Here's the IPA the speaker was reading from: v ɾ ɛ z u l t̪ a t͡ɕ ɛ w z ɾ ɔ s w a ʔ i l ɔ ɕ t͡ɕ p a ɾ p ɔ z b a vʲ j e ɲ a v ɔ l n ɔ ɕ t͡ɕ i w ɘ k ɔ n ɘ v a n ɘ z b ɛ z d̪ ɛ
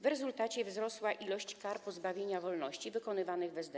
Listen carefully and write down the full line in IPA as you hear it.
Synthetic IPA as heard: v ɾ ɛ z u l t̪ a t͡ɕ ɛ v z ɾ ɔ s w a ʔ i l ɔ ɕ t͡ɕ k a ɾ p ɔ z b a vʲ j e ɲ a v ɔ l n ɔ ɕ t͡ɕ i v ɘ k ɔ n ɘ v a n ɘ ɣ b ɛ z d̪ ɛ